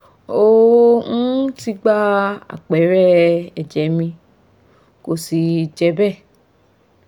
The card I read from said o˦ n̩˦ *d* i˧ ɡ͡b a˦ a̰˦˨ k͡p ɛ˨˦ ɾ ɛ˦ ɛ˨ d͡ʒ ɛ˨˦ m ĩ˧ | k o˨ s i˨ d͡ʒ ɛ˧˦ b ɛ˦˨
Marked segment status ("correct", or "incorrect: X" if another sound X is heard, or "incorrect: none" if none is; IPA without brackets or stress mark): incorrect: t